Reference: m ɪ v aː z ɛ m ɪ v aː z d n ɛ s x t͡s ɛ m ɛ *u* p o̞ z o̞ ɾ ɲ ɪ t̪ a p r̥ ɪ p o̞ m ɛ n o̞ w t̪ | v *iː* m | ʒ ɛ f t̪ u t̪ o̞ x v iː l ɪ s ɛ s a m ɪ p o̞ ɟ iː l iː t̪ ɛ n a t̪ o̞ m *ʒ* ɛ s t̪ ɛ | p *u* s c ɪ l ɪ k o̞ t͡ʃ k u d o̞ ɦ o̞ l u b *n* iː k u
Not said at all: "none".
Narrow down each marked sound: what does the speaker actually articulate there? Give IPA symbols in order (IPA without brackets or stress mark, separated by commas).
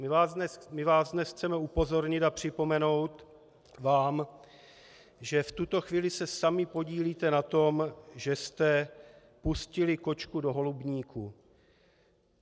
u, aː, ʒ, u, ɲ